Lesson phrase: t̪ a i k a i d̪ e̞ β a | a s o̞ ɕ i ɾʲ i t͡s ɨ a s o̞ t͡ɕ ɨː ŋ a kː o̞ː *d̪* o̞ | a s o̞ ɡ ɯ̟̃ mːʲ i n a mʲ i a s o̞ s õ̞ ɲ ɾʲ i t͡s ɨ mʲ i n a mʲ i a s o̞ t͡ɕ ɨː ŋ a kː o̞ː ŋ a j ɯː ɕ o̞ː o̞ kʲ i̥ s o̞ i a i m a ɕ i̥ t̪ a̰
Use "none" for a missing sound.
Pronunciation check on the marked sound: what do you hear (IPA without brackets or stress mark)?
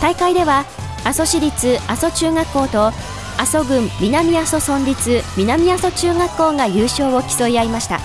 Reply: t̪